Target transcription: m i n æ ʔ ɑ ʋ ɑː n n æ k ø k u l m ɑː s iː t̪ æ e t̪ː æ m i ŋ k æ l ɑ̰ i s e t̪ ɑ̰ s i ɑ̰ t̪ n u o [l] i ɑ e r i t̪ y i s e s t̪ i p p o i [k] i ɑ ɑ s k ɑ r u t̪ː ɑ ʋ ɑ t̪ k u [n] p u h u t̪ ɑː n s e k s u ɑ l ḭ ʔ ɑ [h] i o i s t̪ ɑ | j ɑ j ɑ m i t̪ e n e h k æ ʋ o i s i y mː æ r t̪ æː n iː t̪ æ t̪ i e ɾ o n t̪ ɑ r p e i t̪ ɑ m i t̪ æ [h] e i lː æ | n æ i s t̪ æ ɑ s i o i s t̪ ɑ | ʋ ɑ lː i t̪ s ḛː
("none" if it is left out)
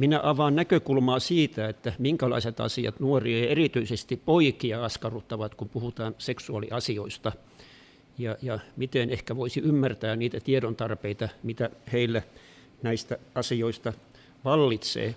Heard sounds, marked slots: r, k, m, s, h

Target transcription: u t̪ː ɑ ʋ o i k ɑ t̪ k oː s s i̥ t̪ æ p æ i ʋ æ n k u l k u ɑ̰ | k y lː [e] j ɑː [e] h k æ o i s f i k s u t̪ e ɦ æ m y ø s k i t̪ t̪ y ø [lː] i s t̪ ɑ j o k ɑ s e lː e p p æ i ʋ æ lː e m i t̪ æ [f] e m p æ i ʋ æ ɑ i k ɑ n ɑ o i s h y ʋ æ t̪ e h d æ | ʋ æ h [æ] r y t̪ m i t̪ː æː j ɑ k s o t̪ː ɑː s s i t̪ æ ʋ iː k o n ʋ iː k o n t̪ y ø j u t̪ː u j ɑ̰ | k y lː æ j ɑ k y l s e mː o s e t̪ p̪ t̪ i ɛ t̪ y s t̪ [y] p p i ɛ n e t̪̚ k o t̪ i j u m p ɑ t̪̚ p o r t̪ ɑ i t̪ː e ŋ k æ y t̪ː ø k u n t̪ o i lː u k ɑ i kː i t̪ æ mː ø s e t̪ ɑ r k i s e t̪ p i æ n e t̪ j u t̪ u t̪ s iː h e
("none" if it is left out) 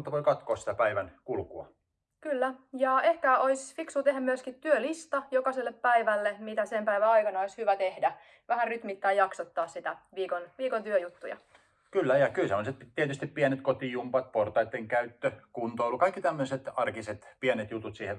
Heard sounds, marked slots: æ, e, l, s, æ, i

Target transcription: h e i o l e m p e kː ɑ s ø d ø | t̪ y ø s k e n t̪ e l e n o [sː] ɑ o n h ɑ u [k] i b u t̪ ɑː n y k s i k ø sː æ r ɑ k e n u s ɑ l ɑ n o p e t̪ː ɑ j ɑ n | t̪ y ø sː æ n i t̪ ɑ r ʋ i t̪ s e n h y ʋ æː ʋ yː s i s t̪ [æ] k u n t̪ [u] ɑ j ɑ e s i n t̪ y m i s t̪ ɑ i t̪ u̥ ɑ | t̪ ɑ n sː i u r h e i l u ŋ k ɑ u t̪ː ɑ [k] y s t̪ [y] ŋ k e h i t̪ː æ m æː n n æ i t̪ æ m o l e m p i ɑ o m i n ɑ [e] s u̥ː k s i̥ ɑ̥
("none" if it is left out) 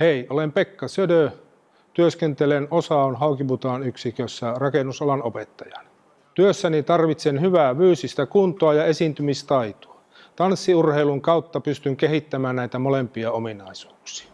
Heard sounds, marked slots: s, k, æ, o, p, y, i

